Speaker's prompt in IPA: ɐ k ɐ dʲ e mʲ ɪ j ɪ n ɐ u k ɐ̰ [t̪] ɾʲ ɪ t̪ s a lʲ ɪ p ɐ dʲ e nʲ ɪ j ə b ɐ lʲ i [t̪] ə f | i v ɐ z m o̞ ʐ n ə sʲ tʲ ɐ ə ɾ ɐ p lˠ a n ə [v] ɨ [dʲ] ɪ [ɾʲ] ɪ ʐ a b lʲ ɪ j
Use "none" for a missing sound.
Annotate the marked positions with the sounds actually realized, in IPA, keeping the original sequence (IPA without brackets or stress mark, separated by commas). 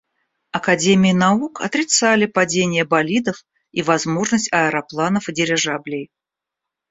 t̪, d̪, f, dʲ, ɾʲ